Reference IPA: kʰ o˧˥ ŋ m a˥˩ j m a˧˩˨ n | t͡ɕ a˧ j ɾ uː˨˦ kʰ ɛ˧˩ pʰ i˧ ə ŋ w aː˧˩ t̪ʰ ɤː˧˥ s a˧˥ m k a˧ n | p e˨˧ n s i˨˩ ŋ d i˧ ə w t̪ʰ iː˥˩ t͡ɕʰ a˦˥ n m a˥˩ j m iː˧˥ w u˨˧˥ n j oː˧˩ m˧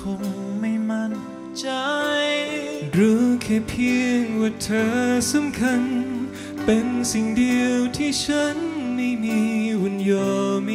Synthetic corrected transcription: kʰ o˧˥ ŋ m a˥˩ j m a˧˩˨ n | t͡ɕ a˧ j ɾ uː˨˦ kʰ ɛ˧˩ pʰ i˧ ə ŋ w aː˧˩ t̪ʰ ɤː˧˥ s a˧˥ m kʰ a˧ n | p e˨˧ n s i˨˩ ŋ d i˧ ə w t̪ʰ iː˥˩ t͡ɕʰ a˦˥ n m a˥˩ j m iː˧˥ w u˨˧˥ n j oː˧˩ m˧

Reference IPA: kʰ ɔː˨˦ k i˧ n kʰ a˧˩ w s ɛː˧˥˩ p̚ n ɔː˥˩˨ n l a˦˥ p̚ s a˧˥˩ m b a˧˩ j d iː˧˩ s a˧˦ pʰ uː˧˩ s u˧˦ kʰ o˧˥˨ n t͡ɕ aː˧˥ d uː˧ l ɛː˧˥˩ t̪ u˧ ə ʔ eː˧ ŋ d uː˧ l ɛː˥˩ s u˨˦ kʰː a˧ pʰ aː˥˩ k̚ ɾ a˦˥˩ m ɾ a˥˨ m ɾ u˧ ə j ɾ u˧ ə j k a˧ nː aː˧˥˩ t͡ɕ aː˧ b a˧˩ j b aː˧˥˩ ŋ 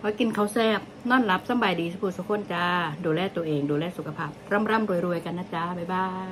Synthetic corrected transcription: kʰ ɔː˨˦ k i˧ n kʰ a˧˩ w s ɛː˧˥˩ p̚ n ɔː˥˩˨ n l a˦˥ p̚ s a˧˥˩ m b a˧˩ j d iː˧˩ s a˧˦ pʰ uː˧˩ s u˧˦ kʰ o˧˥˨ n t͡ɕ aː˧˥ d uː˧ l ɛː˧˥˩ t̪ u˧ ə ʔ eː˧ ŋ d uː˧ l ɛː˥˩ s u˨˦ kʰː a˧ pʰ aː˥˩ p̚ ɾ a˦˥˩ m ɾ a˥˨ m ɾ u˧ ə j ɾ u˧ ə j k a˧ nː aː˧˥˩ t͡ɕ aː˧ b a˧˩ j b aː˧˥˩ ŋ

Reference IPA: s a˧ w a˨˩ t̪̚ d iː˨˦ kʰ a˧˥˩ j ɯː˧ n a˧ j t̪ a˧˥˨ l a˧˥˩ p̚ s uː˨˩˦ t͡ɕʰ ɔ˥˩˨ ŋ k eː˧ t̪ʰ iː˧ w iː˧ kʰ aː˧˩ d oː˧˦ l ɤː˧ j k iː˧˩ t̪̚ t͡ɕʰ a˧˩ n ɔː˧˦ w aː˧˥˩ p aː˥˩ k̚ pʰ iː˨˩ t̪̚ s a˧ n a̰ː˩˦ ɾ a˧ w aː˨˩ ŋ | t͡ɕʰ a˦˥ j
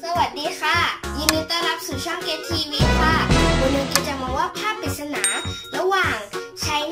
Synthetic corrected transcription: s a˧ w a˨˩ t̪̚ d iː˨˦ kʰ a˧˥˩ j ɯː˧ n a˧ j t̪ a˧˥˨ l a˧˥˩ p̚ s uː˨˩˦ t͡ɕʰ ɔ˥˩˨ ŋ k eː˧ t̪ʰ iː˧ w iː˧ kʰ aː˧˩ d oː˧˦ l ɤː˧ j k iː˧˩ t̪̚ t͡ɕ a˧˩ m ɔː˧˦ w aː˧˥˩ pʰ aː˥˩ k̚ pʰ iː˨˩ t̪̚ s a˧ n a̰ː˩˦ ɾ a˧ w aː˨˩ ŋ | t͡ɕʰ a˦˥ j

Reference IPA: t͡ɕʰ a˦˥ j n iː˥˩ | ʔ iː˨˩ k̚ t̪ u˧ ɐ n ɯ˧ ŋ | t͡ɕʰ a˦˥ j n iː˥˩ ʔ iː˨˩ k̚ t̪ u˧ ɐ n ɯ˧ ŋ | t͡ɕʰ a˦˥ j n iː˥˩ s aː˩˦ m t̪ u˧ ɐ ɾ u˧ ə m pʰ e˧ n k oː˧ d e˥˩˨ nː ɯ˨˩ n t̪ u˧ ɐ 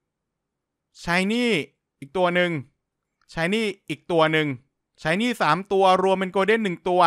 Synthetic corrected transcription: t͡ɕʰ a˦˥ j n iː˥˩ | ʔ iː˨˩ k̚ t̪ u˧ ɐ n ɯ˧ ŋ | t͡ɕʰ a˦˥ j n iː˥˩ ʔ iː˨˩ k̚ t̪ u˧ ɐ n ɯ˧ ŋ | t͡ɕʰ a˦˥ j n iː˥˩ s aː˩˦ m t̪ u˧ ɐ ɾ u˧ ə m p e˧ n k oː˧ d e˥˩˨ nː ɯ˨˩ ŋ t̪ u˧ ɐ

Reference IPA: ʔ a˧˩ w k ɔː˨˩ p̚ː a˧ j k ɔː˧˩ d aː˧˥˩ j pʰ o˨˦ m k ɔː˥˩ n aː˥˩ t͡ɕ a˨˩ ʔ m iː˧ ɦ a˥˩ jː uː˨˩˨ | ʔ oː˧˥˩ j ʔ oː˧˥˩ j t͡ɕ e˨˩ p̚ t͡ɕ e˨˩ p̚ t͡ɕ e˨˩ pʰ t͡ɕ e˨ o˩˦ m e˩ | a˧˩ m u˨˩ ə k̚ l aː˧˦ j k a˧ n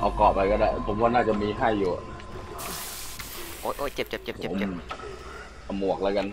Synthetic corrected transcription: ʔ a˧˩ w k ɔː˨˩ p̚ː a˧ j k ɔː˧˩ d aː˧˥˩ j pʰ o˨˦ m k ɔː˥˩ n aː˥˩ t͡ɕ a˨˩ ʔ m iː˧ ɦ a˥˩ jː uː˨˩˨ | ʔ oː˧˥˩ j ʔ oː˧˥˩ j t͡ɕ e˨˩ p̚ t͡ɕ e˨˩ p̚ t͡ɕ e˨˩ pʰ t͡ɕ e˨ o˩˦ m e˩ | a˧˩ m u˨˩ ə k̚ l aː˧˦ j k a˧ n

